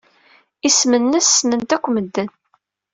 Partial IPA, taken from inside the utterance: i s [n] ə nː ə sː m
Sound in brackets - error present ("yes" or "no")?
yes